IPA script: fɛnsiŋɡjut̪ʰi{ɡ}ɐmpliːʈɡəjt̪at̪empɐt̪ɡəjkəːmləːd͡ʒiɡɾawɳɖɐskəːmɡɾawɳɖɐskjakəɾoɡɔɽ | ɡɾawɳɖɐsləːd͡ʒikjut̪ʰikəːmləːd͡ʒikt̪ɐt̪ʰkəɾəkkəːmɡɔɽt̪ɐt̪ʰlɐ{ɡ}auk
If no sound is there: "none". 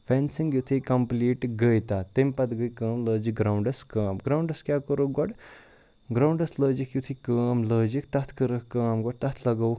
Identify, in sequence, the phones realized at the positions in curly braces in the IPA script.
k, ɡ

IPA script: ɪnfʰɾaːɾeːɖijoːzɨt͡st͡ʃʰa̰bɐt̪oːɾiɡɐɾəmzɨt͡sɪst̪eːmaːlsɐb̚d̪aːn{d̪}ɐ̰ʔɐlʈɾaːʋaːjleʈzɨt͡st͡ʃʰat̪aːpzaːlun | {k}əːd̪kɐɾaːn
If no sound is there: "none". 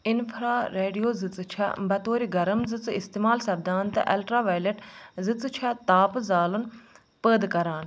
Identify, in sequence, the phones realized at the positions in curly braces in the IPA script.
t̪, p

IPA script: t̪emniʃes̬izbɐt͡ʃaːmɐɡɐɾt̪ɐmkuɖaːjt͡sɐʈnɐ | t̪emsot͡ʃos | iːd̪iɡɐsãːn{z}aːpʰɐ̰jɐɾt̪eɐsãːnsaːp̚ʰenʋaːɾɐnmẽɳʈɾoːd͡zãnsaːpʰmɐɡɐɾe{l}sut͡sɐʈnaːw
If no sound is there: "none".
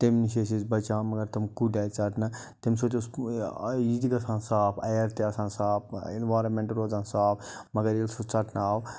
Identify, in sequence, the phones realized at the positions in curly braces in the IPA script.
s, l

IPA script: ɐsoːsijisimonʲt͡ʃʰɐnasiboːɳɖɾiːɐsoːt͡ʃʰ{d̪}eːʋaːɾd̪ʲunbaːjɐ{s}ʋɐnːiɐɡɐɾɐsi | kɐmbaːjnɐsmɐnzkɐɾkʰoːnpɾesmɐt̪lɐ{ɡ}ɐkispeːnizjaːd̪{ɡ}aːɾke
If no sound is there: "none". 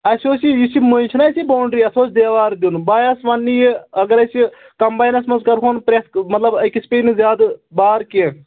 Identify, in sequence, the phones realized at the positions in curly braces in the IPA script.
d̪, s, b, b

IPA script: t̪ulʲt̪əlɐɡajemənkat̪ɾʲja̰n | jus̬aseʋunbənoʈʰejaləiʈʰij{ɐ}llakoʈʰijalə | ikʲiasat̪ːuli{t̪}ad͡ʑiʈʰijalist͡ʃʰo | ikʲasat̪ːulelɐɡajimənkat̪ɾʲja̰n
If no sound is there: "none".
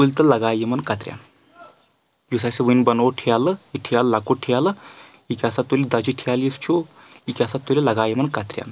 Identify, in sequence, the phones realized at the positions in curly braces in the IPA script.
a, d̪

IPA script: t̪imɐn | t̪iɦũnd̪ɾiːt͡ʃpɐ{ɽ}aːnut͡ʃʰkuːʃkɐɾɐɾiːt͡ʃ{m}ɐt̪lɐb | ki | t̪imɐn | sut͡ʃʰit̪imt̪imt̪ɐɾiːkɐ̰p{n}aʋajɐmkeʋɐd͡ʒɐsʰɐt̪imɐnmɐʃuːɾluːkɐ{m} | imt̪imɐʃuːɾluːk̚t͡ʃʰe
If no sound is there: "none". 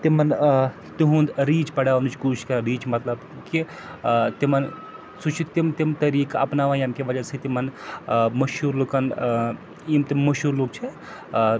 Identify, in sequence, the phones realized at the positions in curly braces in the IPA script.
ɽ, m, n, n

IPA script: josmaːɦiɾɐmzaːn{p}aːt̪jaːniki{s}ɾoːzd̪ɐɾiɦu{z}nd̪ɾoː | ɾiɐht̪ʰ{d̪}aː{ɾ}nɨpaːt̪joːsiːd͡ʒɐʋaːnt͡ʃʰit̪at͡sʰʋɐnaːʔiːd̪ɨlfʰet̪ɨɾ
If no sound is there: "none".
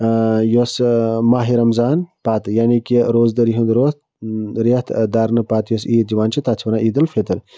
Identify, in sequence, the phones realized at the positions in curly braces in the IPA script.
p, none, none, d̪, ɾ

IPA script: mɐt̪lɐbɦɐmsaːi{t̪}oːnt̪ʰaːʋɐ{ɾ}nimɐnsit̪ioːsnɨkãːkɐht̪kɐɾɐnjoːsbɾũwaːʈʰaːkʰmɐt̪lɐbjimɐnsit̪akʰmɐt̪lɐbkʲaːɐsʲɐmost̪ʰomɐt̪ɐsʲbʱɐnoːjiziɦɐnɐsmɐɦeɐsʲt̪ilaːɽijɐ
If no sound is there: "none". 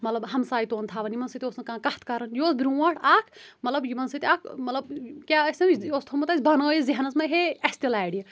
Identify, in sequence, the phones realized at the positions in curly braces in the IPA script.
t̪, none

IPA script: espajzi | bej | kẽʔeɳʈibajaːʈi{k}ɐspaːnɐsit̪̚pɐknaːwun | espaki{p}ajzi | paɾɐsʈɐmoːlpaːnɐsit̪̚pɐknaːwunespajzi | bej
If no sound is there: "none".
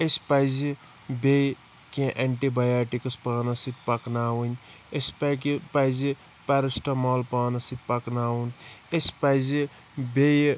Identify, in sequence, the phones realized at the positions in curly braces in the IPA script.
k, p

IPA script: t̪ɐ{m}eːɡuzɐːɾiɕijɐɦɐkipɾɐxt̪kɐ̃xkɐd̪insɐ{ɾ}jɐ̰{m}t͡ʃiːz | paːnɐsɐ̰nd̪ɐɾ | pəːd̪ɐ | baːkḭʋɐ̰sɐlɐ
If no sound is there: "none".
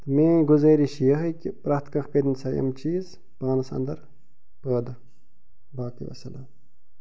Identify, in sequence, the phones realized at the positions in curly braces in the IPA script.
m, none, m

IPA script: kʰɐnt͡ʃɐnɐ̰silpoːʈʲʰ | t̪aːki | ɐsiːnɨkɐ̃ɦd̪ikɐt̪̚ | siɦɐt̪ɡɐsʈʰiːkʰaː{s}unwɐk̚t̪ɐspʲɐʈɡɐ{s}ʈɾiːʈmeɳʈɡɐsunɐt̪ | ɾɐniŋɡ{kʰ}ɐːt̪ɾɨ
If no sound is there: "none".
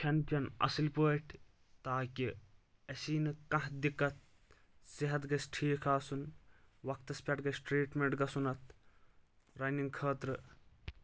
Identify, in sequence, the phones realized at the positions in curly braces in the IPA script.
s, s, kʰ

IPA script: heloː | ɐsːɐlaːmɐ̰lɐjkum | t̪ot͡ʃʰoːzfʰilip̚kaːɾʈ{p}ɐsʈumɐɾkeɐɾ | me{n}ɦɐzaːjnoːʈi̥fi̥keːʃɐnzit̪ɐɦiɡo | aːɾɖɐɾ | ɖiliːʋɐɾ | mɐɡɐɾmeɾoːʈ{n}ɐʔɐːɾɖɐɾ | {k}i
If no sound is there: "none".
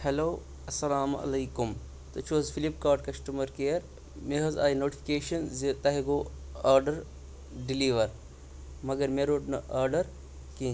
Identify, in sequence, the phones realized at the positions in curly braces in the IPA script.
k, none, n, k

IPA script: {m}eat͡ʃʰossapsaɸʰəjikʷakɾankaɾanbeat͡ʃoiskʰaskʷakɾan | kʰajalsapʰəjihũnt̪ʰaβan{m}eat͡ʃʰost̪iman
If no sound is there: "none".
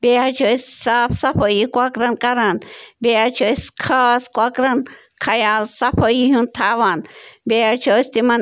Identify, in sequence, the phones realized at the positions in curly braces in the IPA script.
b, b

